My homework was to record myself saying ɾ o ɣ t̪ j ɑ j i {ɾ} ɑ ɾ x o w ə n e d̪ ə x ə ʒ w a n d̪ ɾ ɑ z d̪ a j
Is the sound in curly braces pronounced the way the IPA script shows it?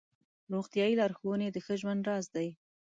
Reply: no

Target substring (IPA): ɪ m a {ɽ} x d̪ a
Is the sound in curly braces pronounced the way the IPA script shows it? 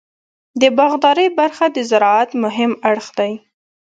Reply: yes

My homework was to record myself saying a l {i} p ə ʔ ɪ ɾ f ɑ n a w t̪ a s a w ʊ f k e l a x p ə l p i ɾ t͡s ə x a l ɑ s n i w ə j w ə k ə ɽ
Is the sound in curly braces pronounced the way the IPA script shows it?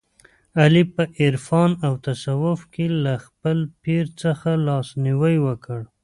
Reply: yes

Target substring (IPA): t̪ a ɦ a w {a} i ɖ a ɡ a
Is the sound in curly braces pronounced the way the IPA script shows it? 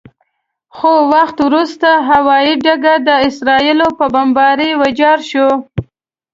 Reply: no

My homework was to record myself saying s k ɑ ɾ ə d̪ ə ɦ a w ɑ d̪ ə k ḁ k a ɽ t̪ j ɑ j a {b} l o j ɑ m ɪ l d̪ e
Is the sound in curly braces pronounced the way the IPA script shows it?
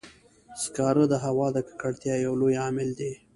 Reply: no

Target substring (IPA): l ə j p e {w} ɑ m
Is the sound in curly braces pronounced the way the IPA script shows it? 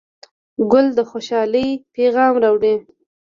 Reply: no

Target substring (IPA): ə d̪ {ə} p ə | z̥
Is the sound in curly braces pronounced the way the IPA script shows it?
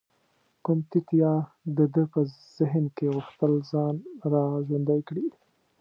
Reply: yes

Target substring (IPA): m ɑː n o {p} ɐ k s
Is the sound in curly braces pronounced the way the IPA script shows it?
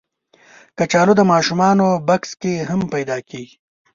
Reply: no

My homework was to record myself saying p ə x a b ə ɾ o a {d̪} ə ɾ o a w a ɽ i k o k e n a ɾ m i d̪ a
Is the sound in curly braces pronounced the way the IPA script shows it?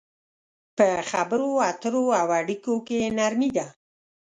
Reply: no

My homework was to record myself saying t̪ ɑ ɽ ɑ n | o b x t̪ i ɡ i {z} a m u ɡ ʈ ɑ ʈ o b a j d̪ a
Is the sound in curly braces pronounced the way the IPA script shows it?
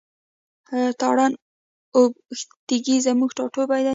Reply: yes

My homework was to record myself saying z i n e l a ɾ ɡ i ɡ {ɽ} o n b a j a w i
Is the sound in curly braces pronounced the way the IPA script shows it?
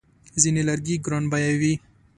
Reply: no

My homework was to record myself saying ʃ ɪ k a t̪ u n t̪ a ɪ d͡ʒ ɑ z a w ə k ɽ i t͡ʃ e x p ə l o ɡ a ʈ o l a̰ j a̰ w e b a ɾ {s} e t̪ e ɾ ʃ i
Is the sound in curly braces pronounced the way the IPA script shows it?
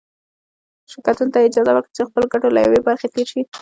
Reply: no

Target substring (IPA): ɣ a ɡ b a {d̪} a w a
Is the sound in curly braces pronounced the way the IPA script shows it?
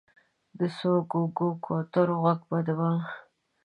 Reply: yes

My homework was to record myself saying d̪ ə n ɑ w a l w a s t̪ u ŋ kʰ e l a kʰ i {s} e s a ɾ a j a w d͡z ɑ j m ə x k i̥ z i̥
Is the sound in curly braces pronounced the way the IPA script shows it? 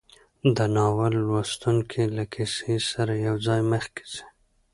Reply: yes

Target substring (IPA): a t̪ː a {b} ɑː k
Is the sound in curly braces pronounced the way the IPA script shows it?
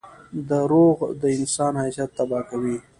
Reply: yes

